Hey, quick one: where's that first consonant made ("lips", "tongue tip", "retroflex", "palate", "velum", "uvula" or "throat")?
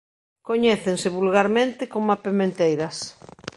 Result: velum